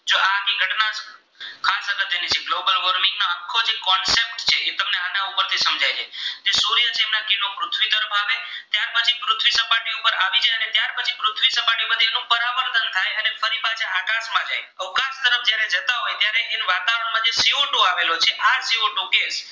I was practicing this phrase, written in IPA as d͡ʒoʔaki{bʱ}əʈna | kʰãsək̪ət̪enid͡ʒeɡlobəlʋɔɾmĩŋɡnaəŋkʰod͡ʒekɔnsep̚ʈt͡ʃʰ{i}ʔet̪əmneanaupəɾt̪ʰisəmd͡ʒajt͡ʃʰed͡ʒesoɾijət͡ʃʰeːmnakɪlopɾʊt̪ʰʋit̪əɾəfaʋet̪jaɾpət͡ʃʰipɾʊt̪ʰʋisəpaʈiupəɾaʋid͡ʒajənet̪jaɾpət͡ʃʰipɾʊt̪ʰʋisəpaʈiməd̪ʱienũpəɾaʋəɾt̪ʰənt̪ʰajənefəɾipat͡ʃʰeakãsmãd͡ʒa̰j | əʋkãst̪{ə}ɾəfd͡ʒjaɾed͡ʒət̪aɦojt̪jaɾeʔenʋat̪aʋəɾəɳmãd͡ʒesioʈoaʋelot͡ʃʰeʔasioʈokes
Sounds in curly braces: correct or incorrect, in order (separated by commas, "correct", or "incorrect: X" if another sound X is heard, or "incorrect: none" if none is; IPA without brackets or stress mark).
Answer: incorrect: ɡʱ, incorrect: e, correct